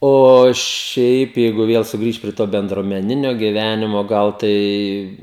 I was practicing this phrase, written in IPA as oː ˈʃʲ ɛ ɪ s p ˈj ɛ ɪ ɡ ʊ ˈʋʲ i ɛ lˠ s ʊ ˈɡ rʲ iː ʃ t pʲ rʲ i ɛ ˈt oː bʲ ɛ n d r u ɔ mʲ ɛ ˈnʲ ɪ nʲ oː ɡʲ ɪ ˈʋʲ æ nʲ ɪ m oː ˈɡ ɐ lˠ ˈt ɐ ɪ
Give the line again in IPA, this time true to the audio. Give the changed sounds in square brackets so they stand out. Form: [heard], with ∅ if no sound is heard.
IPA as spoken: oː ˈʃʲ ɛ ɪ [∅] p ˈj ɛ ɪ ɡ ʊ ˈʋʲ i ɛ lˠ s ʊ ˈɡ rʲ iː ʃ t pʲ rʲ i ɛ ˈt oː bʲ ɛ n d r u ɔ mʲ ɛ ˈnʲ ɪ nʲ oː ɡʲ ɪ ˈʋʲ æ nʲ ɪ m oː ˈɡ ɐ lˠ ˈt ɐ ɪ